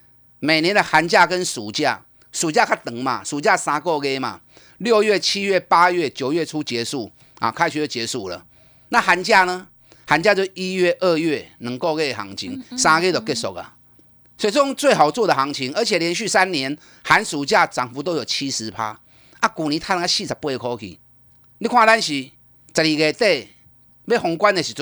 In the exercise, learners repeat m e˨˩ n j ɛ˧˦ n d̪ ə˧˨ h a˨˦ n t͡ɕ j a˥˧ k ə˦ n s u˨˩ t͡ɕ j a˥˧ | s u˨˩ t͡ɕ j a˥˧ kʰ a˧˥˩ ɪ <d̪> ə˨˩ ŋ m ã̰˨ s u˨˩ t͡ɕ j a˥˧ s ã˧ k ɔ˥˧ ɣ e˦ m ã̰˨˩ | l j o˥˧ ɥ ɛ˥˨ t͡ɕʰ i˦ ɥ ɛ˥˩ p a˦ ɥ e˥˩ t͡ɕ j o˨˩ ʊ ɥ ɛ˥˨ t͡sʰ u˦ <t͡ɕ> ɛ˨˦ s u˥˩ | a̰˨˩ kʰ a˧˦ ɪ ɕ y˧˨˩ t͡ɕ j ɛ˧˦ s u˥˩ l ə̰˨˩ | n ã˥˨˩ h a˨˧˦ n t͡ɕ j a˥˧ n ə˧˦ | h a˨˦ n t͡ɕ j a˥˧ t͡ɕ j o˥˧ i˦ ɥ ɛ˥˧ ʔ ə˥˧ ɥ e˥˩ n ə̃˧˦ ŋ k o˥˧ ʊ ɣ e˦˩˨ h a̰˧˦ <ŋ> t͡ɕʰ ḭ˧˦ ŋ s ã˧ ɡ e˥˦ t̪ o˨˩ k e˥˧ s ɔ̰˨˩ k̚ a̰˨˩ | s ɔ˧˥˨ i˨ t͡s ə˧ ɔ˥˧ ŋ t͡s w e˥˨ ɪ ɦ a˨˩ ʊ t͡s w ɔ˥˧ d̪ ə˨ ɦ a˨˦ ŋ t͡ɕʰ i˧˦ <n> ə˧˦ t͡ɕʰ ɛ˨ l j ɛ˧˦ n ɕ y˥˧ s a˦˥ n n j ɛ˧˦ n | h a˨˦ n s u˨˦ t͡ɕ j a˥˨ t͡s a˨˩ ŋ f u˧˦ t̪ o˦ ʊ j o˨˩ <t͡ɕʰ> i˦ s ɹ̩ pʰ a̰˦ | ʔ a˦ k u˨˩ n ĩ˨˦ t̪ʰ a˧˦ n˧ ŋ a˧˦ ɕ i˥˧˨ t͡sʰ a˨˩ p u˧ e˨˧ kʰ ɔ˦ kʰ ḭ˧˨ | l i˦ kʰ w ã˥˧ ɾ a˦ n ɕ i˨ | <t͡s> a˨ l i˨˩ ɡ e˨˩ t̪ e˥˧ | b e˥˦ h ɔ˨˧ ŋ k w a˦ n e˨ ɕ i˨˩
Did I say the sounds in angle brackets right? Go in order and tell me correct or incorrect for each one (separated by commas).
incorrect, correct, correct, incorrect, correct, correct